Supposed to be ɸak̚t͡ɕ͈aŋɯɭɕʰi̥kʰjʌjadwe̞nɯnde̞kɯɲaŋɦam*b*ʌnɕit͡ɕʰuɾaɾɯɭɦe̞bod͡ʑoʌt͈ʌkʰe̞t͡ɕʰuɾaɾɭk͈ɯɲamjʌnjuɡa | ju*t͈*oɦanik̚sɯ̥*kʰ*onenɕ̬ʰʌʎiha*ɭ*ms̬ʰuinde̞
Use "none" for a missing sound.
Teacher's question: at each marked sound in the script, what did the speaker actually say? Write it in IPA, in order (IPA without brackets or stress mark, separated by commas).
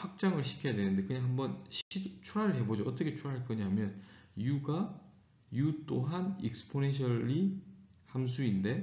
b, t͈, pʰ, none